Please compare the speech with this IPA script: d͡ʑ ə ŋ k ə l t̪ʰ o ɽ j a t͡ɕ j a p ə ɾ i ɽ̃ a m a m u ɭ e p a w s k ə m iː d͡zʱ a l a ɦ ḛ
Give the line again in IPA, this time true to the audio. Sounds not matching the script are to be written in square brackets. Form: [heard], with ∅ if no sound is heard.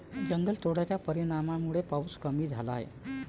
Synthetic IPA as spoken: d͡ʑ ə ŋ [ɡ] ə l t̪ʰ o ɽ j a t͡ɕ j a p ə ɾ i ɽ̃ a m a m u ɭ e p a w s k ə m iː d͡zʱ a l a ɦ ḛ